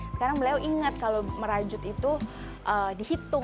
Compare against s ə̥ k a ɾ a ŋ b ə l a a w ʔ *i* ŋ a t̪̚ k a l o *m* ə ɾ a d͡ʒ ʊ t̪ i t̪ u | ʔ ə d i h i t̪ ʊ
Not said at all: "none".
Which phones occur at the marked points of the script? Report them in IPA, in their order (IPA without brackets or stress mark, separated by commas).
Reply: i, m